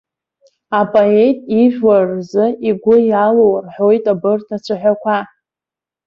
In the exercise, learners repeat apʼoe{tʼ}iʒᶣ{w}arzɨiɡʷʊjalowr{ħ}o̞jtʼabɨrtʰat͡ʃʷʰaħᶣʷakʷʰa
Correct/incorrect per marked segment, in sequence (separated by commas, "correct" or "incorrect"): correct, correct, correct